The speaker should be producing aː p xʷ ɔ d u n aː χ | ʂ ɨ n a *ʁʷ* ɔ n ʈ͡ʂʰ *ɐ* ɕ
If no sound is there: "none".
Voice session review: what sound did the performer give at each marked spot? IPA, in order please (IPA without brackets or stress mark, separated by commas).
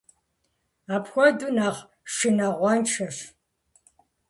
ʁʷ, ɐ